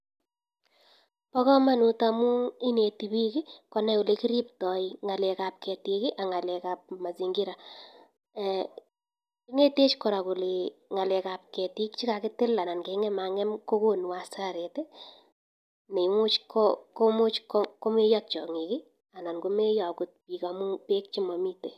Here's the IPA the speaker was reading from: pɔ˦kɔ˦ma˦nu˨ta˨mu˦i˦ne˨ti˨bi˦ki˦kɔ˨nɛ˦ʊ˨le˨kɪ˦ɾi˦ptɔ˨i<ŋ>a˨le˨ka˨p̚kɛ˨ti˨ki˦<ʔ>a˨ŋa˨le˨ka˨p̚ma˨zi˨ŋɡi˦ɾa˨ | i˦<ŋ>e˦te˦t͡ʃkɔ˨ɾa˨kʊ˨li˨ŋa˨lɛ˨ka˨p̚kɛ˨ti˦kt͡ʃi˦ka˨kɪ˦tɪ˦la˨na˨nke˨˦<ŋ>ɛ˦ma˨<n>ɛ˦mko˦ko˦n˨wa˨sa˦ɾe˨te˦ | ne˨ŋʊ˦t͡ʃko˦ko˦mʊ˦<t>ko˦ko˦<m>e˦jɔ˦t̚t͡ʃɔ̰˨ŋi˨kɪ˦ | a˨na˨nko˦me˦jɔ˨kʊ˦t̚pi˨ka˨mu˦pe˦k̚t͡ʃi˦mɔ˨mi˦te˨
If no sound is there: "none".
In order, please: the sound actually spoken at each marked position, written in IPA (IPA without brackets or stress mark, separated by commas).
ŋ, ʔ, ŋ, ŋ, ŋ, t͡ʃ, m